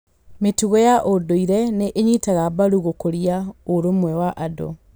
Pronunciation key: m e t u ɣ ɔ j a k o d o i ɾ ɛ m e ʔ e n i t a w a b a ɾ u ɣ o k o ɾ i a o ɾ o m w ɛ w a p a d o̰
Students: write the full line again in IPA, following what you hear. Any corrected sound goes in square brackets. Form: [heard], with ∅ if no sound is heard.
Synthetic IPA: m e t u ɣ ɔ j a [ʔ] o d o i ɾ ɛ [n] e ʔ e [ɲ] i t a [ɣ] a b a ɾ u ɣ o k o ɾ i a o ɾ o m w ɛ w a [ʔ] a d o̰